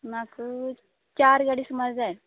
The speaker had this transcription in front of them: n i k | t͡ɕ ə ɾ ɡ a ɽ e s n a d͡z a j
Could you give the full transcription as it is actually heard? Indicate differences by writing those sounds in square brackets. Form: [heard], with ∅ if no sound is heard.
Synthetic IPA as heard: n [a] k | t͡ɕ [a] ɾ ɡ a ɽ [i] s [m] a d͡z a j

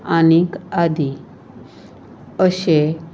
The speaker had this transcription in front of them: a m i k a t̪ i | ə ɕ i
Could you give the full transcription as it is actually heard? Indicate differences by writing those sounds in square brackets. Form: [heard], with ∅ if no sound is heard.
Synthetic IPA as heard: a [n] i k a [d̪] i | ə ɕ [e]

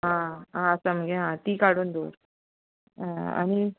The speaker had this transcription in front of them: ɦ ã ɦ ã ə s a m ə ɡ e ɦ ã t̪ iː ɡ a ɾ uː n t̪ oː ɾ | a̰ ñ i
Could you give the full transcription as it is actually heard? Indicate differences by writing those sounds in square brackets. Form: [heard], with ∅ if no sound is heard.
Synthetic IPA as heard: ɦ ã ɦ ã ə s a m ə ɡ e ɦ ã t̪ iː [k] a [ɽ] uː n [d̪] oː ɾ | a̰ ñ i

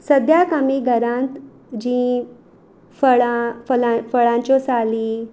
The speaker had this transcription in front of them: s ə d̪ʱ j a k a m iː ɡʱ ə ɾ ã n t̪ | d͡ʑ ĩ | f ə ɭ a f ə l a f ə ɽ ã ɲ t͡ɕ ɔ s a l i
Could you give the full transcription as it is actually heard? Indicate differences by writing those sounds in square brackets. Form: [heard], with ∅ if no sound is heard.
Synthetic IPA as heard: s ə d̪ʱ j a k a m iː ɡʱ ə ɾ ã n t̪ | d͡ʑ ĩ | f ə ɭ a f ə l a f ə [ɭ] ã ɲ t͡ɕ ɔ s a l i

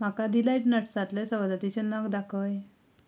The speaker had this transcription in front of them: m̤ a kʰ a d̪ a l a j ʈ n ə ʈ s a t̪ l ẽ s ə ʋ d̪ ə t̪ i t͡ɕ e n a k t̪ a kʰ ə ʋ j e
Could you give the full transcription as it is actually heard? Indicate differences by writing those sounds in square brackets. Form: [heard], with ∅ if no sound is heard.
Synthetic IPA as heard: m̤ a [k] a d̪ [i] l a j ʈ n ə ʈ s a t̪ l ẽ s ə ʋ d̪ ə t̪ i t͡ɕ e n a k [d̪] a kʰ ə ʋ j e

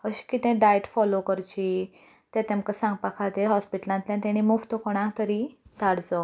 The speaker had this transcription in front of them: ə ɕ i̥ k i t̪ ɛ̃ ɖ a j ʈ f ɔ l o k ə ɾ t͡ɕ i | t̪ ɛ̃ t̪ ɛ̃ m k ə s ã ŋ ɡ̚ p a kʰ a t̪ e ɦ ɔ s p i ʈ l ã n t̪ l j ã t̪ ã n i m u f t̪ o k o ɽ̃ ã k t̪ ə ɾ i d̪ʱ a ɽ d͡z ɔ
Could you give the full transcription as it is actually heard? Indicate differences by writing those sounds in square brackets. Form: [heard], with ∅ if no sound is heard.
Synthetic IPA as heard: ə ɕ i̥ k i t̪ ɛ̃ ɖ a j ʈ f ɔ l o k ə ɾ t͡ɕ i | t̪ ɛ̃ t̪ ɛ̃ m k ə s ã ŋ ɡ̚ p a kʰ a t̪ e ɦ ɔ s p i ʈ l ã n t̪ l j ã t̪ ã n i m u f t̪ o k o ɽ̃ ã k t̪ ə ɾ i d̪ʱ a ɽ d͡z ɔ

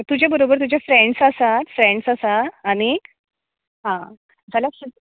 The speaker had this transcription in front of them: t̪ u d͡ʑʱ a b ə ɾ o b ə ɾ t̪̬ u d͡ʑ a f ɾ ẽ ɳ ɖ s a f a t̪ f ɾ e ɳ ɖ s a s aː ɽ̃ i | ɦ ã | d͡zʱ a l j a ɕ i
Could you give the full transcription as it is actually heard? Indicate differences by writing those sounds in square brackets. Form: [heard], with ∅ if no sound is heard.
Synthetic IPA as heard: t̪ u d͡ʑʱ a b ə ɾ o b ə ɾ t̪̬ u d͡ʑ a f ɾ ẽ ɳ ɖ s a [s] a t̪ f ɾ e ɳ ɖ s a s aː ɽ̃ i | ɦ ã | d͡zʱ a l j a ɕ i

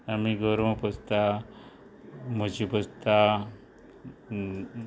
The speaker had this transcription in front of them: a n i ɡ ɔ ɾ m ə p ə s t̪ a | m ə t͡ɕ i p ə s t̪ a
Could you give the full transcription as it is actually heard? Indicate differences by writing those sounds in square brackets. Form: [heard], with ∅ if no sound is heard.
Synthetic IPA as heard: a [m] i ɡ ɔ ɾ m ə p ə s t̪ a | m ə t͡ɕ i p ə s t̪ a

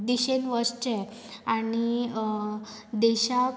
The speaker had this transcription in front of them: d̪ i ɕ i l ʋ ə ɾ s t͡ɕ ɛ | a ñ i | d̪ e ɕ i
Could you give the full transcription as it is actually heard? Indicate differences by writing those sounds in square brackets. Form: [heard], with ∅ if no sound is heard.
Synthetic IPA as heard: d̪ i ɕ [e] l ʋ ə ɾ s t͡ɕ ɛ | a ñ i | d̪ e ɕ [a]

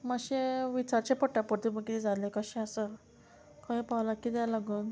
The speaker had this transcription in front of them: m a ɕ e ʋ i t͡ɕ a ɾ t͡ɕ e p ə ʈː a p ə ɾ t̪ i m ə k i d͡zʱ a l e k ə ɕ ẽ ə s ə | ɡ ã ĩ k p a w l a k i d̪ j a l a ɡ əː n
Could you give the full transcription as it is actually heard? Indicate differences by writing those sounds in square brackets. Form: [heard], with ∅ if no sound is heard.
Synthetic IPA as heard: m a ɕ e ʋ i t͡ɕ a ɾ t͡ɕ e p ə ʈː a p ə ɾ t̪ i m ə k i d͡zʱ a l e k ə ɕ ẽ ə s ə | [k] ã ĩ [∅] p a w l a k i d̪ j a l a ɡ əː n

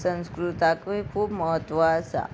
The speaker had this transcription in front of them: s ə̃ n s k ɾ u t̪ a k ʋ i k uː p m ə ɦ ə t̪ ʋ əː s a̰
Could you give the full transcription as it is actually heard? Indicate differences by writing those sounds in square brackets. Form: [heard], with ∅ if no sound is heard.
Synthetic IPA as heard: s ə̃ n s k ɾ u t̪ a k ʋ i [kʰ] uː [b] m ə ɦ ə t̪ ʋ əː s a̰

